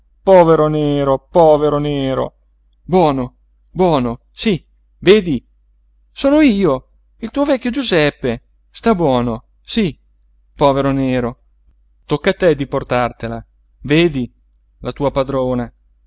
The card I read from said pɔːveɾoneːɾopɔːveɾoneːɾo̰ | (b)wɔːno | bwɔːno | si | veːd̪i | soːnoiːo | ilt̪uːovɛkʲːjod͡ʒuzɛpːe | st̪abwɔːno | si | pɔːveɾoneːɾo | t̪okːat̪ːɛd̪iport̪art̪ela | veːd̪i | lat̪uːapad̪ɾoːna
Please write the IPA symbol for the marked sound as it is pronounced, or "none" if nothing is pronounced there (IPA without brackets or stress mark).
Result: b